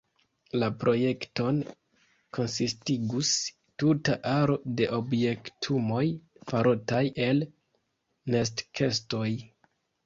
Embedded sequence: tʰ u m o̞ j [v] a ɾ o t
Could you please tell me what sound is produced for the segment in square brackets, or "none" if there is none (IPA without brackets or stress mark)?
f